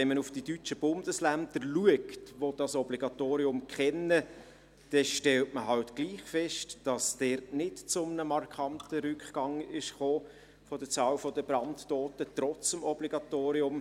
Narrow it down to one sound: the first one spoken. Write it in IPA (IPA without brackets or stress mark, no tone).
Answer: ɛ